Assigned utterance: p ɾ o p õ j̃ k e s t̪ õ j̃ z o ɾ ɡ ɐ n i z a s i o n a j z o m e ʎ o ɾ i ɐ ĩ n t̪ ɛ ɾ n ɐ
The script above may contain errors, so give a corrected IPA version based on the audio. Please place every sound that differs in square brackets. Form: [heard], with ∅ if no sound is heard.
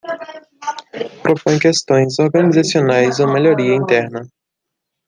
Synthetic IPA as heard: p ɾ o p õ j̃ k e s t̪ õ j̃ z o ɾ ɡ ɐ n i z a s i o n a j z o m e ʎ o ɾ i ɐ ĩ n t̪ ɛ ɾ n ɐ